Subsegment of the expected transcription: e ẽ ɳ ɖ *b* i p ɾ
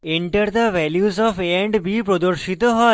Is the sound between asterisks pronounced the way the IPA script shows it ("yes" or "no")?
yes